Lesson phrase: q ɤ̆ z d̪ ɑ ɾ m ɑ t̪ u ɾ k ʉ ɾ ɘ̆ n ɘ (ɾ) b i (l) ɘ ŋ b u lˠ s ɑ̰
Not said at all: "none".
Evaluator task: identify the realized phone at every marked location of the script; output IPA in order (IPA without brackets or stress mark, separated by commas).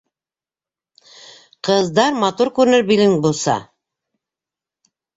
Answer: ɾ, l